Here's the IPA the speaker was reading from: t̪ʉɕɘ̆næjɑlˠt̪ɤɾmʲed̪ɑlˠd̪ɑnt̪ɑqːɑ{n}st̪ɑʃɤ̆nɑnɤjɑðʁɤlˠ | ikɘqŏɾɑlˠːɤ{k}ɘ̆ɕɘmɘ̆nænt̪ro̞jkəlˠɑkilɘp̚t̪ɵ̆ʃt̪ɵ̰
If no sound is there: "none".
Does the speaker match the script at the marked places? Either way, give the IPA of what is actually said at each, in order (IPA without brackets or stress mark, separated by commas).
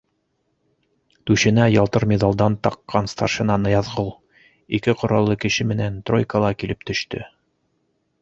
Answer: n, k